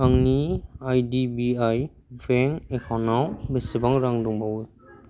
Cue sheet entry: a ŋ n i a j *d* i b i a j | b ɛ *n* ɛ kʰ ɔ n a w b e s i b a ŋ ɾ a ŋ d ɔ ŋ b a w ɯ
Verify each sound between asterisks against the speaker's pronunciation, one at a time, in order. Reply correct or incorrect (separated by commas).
correct, incorrect